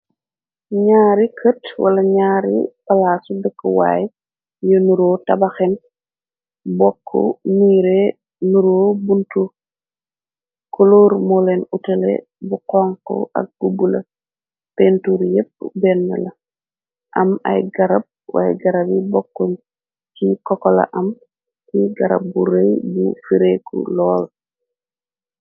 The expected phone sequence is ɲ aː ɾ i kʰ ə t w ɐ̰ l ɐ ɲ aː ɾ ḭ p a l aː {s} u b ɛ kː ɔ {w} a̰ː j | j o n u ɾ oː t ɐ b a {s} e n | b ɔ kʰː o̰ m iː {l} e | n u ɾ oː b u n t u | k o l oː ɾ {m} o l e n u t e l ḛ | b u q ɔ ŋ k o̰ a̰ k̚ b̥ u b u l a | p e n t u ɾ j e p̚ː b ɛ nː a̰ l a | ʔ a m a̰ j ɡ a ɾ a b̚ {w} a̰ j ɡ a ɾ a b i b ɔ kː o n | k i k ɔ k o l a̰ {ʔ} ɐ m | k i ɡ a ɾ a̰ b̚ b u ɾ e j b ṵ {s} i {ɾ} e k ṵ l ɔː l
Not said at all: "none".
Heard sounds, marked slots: s, w, x, ɾ, m, w, ʔ, f, ɾ

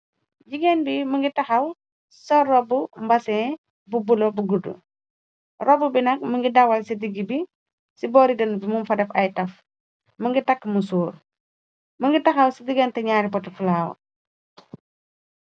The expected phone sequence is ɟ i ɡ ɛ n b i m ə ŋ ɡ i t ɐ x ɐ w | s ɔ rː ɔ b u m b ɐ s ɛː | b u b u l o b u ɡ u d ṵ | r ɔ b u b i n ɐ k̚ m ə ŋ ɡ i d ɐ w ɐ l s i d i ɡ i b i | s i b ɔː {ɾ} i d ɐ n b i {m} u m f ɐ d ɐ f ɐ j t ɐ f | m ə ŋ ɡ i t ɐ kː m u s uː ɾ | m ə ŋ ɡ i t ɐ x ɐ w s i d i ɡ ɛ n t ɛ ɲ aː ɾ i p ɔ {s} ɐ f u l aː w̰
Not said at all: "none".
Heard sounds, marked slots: ɾ, m, t

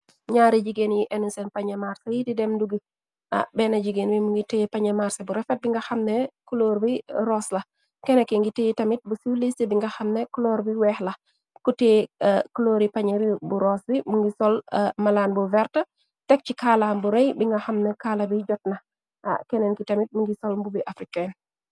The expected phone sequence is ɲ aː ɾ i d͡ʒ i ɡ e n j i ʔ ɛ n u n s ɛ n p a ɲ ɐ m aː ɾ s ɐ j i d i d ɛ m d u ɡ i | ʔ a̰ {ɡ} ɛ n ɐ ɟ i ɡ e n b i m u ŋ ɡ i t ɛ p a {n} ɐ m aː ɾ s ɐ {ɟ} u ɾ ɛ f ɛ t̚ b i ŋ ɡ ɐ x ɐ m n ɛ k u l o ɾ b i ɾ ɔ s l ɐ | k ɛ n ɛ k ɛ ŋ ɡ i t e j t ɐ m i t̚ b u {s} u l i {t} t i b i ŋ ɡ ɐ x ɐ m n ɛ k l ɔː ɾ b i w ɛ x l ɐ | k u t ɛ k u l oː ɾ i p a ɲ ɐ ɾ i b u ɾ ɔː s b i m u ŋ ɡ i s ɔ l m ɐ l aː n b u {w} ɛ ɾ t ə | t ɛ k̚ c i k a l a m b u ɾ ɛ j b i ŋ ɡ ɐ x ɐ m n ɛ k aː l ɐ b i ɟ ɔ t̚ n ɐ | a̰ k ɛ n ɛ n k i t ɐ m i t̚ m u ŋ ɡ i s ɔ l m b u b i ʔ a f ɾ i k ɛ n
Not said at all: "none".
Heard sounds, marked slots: b, ɲ, b, s, s, v

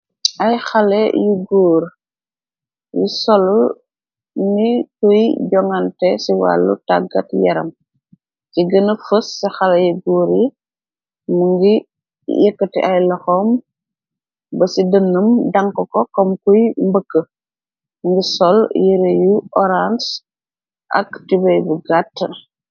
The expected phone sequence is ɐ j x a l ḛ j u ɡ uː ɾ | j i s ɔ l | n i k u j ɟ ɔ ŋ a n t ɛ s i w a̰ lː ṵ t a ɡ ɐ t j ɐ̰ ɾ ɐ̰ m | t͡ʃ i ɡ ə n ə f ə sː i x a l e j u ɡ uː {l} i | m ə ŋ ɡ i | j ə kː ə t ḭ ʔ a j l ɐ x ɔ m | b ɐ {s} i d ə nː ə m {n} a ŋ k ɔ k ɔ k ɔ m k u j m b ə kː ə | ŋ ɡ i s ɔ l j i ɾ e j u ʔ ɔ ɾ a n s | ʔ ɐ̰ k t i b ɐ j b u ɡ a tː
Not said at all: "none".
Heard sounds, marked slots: ɾ, s, d

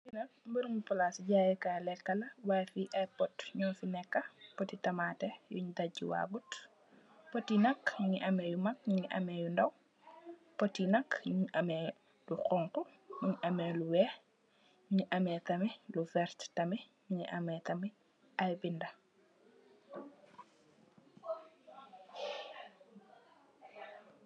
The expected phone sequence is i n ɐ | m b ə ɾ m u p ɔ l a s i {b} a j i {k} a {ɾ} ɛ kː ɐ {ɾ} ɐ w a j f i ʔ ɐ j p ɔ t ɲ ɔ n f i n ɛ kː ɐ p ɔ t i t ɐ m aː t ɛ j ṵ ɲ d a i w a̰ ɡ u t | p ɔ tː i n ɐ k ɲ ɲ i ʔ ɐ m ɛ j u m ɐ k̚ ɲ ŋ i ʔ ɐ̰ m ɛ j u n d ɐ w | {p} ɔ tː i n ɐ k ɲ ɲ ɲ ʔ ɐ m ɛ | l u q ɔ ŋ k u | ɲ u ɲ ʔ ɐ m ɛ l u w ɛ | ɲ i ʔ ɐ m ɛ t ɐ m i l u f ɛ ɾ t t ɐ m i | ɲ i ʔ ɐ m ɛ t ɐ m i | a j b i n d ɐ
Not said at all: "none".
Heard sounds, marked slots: ɟ, k, l, l, p

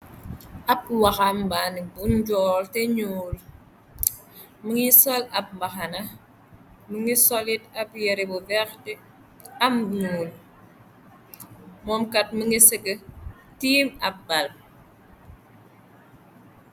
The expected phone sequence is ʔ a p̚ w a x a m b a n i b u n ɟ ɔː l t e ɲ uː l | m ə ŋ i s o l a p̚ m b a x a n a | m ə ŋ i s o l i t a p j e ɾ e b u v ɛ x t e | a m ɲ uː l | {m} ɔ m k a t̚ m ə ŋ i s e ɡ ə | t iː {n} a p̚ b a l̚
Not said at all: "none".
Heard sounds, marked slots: m, m

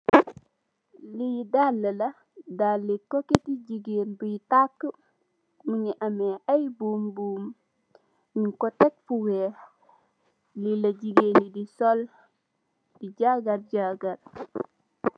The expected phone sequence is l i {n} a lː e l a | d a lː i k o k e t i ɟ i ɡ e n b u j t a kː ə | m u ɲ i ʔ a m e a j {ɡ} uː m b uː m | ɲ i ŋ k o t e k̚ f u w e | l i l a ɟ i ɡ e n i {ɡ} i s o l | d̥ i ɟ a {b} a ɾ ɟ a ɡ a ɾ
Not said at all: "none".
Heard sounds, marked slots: d, b, d, ɡ

